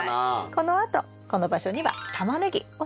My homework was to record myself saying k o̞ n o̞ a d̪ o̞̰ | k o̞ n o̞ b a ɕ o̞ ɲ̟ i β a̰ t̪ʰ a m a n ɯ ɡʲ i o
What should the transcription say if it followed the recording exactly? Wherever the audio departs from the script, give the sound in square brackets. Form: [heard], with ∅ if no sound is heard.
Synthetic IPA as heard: k o̞ n o̞ a [t̪] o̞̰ | k o̞ n o̞ b a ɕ o̞ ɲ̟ i β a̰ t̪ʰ a m a n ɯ ɡʲ i o